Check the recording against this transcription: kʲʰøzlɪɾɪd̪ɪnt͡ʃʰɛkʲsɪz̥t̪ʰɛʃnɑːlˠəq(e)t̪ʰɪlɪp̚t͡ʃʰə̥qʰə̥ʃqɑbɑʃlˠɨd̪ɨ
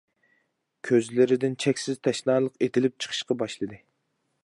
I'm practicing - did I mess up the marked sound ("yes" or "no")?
no